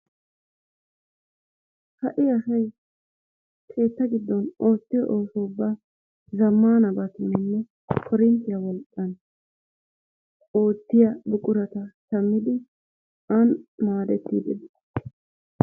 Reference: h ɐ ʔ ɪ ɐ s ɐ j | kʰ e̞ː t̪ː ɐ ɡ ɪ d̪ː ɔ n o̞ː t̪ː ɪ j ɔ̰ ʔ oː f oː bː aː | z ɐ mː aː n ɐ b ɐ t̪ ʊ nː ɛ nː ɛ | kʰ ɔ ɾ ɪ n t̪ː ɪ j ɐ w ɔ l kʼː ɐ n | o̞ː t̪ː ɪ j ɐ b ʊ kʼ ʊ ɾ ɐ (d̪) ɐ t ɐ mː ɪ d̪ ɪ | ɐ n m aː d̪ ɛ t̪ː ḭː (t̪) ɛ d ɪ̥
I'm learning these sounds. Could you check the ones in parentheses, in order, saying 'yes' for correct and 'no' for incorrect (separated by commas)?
no, no